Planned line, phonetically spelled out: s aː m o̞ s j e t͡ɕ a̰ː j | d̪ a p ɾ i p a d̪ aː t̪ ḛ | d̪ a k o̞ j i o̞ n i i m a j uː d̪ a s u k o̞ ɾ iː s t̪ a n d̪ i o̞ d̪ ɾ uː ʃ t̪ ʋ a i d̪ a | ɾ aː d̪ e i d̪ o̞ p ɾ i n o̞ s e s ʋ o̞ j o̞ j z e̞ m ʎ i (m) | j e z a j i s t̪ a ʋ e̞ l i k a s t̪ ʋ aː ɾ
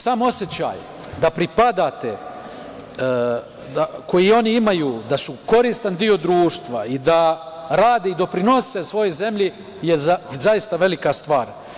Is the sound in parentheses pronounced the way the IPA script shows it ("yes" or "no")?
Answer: no